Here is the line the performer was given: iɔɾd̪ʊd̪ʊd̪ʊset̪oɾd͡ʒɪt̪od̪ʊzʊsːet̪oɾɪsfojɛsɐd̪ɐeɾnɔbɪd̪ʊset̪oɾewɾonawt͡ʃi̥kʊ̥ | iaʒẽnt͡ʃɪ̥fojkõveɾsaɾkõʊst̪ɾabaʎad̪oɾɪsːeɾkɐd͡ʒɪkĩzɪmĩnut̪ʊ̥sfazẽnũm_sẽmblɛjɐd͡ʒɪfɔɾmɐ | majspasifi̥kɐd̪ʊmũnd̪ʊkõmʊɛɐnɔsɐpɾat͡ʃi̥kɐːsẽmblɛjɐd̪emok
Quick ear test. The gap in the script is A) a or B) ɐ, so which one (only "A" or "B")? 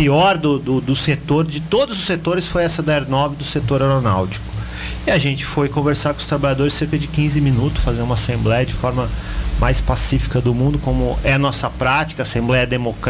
A